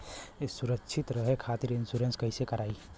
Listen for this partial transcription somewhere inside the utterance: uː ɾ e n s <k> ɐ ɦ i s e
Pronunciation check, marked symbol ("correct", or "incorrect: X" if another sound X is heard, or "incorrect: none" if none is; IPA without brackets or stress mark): correct